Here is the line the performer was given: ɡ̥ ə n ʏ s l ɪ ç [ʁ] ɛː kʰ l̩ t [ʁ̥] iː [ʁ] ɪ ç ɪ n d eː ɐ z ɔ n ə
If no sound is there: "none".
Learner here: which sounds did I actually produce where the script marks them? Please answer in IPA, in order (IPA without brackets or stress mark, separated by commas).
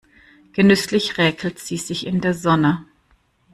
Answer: ʁ, z̥, z